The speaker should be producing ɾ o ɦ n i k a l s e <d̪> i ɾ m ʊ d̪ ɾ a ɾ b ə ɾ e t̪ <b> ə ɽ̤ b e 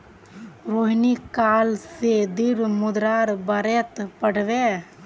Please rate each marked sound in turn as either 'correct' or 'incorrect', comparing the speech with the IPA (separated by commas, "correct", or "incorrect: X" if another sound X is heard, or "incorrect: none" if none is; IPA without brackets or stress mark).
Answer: correct, incorrect: p